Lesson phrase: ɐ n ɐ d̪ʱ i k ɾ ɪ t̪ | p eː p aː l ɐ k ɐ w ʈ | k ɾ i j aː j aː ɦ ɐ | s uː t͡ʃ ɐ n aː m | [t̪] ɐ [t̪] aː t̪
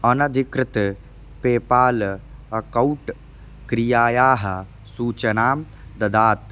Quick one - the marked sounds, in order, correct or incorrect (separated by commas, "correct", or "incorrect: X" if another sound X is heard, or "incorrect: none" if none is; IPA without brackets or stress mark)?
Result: incorrect: d̪, incorrect: d̪